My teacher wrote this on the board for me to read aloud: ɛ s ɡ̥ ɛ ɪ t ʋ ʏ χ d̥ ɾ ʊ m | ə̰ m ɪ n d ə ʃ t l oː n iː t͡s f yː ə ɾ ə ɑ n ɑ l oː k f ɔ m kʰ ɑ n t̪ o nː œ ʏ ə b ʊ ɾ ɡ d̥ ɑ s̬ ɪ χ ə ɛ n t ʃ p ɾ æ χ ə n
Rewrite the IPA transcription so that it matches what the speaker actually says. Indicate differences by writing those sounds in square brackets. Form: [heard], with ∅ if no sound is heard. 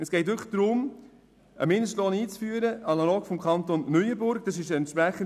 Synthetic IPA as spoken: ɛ s ɡ̥ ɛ ɪ t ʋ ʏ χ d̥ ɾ ʊ m | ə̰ m ɪ n d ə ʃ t l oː n iː t͡s f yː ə ɾ ə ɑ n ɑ l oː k f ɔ m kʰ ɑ n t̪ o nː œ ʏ ə b ʊ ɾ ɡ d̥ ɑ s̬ ɪ [ʃ] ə ɛ n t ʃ p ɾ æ χ ə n